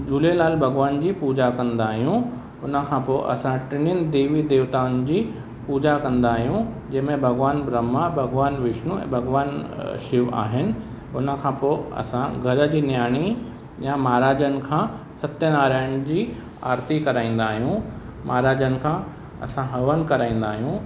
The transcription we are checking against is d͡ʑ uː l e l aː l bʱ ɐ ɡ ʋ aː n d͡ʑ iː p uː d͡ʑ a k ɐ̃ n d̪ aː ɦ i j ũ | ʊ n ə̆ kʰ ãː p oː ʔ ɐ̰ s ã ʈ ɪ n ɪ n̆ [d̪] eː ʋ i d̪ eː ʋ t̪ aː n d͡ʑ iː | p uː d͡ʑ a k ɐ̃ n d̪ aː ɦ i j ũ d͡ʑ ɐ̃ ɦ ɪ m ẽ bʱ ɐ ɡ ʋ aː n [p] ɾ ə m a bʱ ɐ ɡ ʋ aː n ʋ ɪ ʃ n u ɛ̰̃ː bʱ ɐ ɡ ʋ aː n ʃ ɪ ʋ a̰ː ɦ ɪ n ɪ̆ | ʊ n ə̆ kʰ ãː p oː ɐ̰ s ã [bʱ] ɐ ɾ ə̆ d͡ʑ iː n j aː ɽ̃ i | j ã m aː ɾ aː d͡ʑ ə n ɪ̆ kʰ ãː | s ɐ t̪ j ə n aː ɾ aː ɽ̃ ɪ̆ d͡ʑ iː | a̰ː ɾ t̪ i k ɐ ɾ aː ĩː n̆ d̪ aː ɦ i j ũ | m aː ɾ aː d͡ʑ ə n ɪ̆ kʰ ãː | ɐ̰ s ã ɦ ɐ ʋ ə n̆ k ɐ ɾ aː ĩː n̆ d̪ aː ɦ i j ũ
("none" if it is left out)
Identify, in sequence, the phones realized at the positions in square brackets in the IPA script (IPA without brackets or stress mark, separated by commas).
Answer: d̪, b, ɡʱ